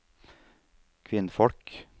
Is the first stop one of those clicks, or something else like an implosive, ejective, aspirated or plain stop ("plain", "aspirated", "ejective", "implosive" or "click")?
aspirated